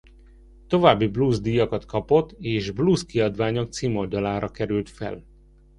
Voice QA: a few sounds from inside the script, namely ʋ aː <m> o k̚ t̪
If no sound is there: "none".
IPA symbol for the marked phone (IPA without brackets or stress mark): ɲ